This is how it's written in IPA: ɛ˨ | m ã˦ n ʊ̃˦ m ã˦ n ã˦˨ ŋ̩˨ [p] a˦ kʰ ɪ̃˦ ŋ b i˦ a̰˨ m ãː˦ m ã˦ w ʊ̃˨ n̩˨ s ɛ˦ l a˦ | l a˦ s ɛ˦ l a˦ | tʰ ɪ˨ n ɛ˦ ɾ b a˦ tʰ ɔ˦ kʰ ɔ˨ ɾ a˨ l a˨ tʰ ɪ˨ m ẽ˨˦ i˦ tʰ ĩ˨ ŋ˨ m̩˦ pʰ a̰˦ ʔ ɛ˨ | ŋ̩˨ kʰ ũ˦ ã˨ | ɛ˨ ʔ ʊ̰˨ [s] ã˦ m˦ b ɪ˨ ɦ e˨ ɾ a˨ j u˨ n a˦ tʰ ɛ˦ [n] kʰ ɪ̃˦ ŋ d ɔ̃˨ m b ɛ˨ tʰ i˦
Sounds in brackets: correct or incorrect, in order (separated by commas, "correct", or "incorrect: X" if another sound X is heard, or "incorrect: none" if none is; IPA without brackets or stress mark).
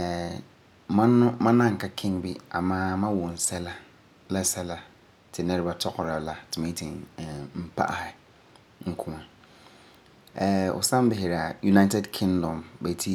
incorrect: k, correct, incorrect: d